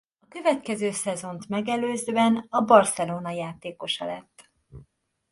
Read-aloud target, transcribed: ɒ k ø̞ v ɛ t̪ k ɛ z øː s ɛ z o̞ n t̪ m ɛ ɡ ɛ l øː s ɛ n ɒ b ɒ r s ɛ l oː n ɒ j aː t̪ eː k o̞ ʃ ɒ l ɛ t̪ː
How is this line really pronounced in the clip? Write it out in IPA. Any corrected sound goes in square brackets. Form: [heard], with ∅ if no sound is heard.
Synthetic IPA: ɒ k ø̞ v ɛ t̪ k ɛ z øː s ɛ z o̞ n t̪ m ɛ ɡ ɛ l øː [z] ɛ n ɒ b ɒ r s ɛ l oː n ɒ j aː t̪ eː k o̞ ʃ ɒ l ɛ t̪ː